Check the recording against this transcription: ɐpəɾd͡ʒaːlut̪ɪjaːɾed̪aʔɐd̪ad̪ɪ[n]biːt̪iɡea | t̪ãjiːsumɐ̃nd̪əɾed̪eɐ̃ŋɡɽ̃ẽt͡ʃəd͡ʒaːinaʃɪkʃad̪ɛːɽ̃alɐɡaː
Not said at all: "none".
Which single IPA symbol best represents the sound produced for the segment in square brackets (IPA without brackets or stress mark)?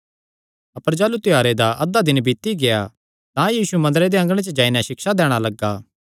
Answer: n